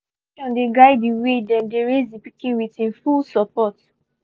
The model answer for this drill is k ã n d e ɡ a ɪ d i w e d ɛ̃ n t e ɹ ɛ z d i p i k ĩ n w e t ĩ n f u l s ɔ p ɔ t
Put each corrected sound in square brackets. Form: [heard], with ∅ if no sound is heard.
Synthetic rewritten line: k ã n d e ɡ a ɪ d i w e d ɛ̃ n [d] e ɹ [e] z d i p i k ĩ n w [i] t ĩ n f u l s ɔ p ɔ t

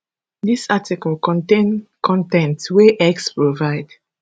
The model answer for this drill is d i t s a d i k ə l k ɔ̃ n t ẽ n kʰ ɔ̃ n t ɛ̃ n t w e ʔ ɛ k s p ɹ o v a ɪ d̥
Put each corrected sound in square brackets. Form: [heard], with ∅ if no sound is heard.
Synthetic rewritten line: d i [∅] s a [t] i k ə l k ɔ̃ n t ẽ n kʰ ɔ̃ n t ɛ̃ n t w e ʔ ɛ k s p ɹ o v a ɪ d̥

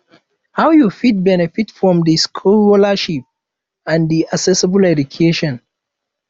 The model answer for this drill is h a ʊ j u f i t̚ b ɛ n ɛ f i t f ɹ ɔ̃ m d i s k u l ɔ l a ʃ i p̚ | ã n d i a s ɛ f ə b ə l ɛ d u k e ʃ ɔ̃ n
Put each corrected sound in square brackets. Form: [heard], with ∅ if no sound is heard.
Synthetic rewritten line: h a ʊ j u f i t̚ b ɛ n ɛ f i t f ɹ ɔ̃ m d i s [kʰ] u l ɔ l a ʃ i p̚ | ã n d i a s ɛ [s] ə b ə l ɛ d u [kʰ] e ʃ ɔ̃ n

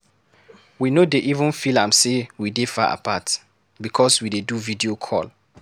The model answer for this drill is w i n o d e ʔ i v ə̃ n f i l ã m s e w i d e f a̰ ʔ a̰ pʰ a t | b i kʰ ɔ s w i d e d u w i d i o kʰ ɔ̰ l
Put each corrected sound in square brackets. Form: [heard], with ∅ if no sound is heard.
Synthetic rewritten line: w i n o d e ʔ i v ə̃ n f i l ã m s e w i d e f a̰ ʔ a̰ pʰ a t | b i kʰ ɔ s w i d e d u [v] i d i o kʰ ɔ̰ l

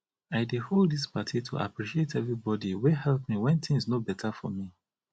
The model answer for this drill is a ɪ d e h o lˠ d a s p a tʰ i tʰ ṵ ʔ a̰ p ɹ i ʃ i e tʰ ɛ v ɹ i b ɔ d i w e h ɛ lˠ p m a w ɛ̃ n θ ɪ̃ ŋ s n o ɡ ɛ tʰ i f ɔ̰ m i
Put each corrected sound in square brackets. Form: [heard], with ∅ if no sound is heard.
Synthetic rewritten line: a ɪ d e h o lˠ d [i] s p a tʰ i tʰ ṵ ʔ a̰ p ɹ i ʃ i e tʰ ɛ v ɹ i b ɔ d i w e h ɛ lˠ p m [i] w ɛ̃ n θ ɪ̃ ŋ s n o [b] ɛ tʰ [a] f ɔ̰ m i

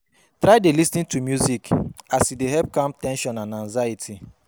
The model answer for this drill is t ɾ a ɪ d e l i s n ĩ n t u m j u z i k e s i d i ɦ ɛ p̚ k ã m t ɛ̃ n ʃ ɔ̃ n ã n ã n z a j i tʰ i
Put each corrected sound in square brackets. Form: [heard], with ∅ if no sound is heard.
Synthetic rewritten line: t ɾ a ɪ d e l i s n ĩ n t u m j u z i k [a] s i d [e] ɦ ɛ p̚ k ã m t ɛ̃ n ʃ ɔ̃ n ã n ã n z a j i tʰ i

